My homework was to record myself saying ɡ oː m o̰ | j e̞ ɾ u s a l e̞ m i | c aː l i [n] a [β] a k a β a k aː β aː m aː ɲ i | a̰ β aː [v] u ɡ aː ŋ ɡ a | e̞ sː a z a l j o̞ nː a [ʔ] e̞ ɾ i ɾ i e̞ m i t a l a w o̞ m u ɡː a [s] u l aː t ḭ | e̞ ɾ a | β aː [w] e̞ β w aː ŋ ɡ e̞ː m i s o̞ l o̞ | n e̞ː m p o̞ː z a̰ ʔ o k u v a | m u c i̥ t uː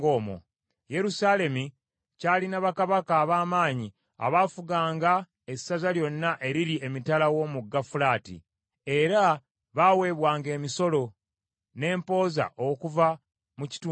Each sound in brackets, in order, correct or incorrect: correct, correct, incorrect: f, correct, incorrect: f, correct

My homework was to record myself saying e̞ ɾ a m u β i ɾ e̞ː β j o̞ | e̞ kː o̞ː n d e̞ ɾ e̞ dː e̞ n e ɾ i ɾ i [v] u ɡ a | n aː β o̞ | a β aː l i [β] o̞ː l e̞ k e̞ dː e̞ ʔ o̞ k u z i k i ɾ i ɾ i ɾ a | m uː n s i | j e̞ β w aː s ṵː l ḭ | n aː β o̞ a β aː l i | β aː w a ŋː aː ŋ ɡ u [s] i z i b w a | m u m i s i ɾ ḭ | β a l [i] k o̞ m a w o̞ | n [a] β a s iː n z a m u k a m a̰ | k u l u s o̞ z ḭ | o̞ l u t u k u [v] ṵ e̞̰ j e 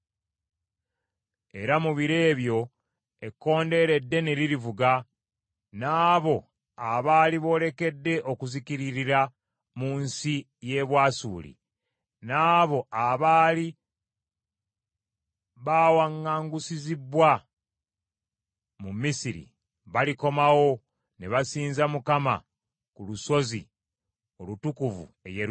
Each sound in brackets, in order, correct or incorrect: correct, correct, correct, correct, incorrect: e, correct

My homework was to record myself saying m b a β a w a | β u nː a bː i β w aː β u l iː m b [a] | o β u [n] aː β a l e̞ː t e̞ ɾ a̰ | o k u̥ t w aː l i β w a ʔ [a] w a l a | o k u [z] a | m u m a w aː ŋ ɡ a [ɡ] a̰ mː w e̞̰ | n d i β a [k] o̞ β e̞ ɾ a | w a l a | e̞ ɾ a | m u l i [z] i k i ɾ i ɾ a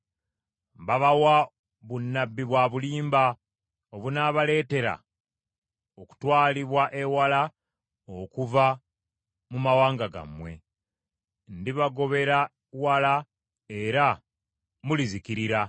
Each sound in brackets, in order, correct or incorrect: correct, correct, incorrect: e, incorrect: v, correct, incorrect: ɡ, correct

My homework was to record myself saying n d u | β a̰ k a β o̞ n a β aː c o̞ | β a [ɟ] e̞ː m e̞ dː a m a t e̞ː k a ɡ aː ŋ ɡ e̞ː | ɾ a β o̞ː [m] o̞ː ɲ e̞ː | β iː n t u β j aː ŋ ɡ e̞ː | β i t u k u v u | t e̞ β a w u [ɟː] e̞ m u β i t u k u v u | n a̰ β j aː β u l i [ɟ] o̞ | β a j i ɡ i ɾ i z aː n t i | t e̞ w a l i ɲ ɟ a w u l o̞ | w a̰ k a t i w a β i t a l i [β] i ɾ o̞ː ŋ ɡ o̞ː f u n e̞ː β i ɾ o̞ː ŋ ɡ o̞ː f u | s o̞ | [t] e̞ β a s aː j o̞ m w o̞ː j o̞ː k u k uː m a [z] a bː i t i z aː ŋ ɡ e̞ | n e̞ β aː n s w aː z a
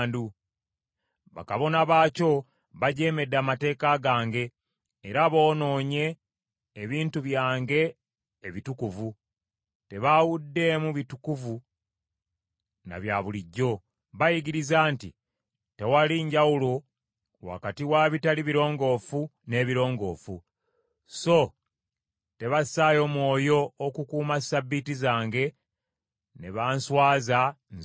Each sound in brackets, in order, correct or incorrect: correct, incorrect: n, incorrect: dː, incorrect: ɟː, correct, correct, incorrect: s

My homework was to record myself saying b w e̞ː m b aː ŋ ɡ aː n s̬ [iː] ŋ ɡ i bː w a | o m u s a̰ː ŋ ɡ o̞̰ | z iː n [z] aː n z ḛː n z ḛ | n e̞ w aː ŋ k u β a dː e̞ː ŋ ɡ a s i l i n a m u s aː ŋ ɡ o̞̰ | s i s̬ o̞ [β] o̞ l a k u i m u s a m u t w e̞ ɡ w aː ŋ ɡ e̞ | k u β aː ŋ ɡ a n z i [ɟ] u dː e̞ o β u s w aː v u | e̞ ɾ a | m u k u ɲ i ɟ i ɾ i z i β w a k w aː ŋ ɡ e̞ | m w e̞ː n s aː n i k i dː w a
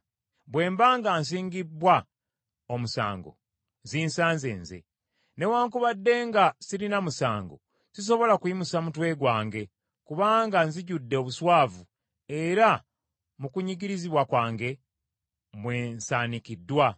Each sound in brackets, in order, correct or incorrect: correct, incorrect: s, correct, correct

